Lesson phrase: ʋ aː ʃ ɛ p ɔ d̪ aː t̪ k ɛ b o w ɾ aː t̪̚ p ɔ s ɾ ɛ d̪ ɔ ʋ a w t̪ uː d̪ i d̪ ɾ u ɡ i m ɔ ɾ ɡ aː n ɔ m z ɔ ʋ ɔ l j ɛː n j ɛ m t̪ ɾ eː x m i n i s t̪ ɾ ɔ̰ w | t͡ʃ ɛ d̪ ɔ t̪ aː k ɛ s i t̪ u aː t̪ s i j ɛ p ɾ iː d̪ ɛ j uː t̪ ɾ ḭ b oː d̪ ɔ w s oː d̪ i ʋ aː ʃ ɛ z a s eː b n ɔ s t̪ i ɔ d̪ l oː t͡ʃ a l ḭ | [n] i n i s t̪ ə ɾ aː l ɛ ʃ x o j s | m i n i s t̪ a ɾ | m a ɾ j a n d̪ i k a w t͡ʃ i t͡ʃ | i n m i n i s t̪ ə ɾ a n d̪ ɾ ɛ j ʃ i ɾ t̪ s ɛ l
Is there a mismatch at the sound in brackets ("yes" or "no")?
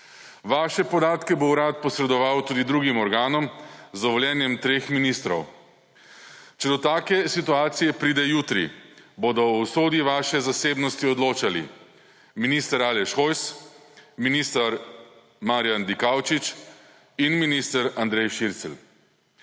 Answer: yes